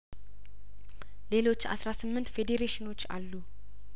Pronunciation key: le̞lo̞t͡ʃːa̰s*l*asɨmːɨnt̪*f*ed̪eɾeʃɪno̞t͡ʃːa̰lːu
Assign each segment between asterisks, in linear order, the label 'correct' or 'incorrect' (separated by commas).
incorrect, correct